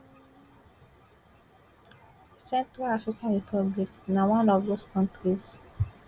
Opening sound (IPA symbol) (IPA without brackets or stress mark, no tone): s